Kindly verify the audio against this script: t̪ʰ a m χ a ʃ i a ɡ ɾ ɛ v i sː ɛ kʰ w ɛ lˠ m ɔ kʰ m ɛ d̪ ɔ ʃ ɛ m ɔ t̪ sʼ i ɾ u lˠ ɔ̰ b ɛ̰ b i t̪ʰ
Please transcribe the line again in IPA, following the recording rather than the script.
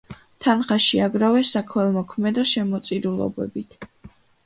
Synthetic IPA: t̪ʰ a n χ a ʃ i a ɡ ɾ a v ɛ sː a kʰ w ɛ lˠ m ɔ kʰ m ɛ d̪ ɔ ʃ ɛ m ɔ t̪ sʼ i ɾ u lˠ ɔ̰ b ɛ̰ b i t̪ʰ